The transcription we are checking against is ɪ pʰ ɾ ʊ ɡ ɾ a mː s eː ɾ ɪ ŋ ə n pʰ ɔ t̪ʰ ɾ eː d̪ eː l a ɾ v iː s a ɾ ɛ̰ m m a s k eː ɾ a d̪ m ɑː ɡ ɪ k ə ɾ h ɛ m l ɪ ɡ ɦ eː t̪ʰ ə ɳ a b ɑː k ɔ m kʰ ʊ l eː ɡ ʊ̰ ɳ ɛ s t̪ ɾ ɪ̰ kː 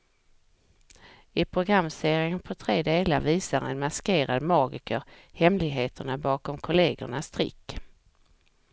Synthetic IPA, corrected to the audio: ɪ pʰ ɾ ʊ ɡ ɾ a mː s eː ɾ ɪ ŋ ə n pʰ ɔ t̪ʰ ɾ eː d̪ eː l a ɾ v iː s a ɾ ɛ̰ n m a s k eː ɾ a d̪ m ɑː ɡ ɪ k ə ɾ h ɛ m l ɪ ɡ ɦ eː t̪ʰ ə ɳ a b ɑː k ɔ m kʰ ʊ l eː ɡ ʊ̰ ɳ a s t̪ ɾ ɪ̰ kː